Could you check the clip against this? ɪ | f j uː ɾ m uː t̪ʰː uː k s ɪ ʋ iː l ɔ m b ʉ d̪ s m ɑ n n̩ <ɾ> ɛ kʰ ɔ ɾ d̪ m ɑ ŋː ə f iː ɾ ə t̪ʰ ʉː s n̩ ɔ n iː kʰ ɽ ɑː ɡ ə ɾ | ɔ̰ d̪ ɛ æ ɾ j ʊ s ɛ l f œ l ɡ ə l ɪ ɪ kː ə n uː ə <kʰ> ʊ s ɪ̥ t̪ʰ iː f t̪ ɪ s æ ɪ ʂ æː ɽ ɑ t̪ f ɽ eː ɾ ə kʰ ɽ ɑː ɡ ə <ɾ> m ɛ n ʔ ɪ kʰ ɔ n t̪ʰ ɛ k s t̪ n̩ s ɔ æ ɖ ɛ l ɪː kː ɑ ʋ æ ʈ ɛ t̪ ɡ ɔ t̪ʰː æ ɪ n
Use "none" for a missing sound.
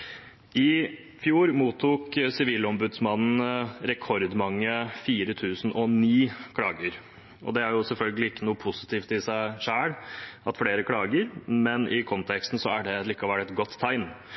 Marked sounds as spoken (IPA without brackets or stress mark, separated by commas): ɾ, pʰ, ɾ